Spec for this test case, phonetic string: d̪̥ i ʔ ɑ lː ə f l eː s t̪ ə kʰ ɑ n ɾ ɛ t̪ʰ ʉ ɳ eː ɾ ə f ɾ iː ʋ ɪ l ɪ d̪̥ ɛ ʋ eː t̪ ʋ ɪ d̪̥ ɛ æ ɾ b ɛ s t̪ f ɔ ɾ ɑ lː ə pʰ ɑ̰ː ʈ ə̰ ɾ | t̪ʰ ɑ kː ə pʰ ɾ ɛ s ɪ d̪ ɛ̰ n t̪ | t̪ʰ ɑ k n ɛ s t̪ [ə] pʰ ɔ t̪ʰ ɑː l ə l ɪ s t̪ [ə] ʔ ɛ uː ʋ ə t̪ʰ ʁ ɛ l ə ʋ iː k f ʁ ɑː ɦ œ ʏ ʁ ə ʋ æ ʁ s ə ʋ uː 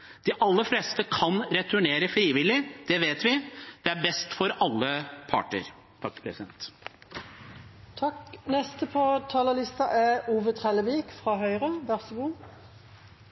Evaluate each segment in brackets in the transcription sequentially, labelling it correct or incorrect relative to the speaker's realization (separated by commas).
correct, incorrect